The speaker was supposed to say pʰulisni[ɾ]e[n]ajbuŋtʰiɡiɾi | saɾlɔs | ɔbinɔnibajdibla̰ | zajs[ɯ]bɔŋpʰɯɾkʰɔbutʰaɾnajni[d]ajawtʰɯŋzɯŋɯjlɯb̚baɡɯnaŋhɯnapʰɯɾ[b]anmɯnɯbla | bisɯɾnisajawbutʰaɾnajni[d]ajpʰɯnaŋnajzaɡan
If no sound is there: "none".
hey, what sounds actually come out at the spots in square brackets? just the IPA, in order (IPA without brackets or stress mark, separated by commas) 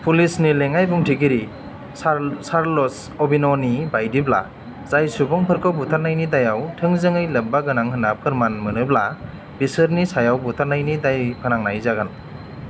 l, ŋ, u, d, m, d